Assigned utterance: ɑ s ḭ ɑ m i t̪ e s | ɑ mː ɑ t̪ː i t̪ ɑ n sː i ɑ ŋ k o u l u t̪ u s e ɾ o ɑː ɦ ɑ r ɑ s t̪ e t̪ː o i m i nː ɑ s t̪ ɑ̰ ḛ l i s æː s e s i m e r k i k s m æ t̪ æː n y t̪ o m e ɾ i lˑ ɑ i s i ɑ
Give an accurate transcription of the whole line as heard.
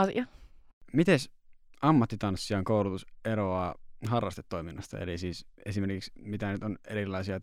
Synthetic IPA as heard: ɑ s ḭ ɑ m i t̪ e s | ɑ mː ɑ t̪ː i t̪ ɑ n sː i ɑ ŋ k o u l u t̪ u s e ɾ o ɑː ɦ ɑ rː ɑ s t̪ e t̪ː o i m i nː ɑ s t̪ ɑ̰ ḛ l i s iː s e s i m e r k i k s m i t̪ æ n y t̪ o n e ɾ i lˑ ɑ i s i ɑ